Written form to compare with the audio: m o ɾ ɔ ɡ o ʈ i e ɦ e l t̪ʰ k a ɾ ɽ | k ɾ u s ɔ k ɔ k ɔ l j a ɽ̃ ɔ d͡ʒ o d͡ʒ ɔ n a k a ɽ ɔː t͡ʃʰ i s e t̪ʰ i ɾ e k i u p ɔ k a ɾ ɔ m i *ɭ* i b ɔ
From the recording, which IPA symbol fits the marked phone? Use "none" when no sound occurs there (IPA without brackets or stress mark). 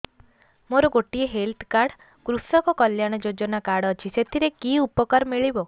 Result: ɭ